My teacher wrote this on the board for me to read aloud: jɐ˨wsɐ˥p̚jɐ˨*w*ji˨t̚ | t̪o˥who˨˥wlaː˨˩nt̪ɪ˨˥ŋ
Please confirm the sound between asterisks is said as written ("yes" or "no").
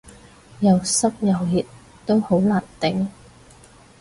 yes